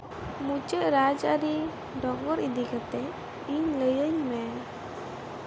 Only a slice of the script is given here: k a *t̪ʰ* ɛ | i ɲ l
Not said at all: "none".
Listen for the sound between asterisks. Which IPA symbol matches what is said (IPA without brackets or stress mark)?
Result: t̪